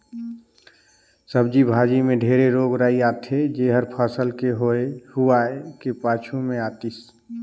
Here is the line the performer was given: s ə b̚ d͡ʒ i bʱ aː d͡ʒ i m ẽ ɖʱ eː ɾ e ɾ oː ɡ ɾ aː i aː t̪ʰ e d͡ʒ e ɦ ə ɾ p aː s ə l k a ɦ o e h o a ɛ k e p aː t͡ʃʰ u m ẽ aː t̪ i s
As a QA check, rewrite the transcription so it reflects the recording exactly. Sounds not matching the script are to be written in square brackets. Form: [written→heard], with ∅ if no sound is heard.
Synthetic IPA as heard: s ə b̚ d͡ʒ i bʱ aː d͡ʒ i m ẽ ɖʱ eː ɾ e ɾ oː ɡ ɾ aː i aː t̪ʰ e d͡ʒ e ɦ ə ɾ [p→pʰ] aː s ə l k [a→e] ɦ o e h [o→u] a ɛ k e p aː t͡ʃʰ u m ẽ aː t̪ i s